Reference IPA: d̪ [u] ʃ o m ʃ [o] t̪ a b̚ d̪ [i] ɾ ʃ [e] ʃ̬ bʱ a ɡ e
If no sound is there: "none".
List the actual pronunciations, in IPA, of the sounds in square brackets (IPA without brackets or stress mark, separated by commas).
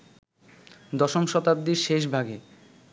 ɔ, ɔ, i, e